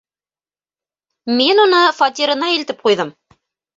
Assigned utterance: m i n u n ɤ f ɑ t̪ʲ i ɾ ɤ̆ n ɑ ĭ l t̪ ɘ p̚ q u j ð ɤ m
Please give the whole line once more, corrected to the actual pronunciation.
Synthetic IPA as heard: m i n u n ɤ f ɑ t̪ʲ i ɾ ɤ̆ n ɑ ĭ l t̪ ɘ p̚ q u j ð ɤ m